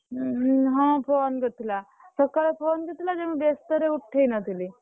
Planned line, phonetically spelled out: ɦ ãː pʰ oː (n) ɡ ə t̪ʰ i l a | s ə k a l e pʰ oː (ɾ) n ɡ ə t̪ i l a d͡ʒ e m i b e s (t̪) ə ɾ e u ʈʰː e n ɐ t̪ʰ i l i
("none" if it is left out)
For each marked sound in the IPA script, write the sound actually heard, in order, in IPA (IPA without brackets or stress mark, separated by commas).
n, none, t̪